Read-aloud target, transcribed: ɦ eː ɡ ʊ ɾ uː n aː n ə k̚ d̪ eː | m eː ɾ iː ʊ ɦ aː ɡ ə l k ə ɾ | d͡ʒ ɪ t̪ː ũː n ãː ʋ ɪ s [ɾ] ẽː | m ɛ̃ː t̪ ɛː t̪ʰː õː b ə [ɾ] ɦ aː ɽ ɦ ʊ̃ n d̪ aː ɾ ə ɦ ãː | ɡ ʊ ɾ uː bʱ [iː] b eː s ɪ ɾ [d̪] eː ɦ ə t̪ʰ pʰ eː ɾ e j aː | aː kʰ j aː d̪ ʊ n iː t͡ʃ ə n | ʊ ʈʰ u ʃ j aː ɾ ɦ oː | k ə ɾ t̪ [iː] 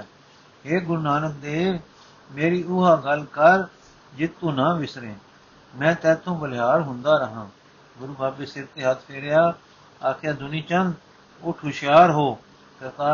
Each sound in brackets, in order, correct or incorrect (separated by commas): correct, incorrect, incorrect, incorrect, incorrect